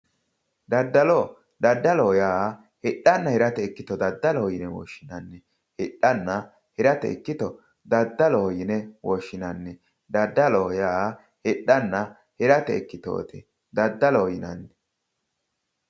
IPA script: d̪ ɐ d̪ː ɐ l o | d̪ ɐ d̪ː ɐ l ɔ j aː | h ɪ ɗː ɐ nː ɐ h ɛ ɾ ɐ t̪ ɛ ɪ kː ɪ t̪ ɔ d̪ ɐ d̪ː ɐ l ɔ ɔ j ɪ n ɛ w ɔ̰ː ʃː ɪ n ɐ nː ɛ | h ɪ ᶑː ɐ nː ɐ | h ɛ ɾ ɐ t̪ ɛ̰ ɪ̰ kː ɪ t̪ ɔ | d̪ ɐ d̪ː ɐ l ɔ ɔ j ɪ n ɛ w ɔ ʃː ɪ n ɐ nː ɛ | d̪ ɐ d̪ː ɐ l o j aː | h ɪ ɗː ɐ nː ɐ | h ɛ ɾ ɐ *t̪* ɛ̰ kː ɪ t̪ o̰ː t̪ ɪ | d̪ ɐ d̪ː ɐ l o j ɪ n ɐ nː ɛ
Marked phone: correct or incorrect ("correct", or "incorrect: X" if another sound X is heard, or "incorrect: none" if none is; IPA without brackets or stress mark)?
correct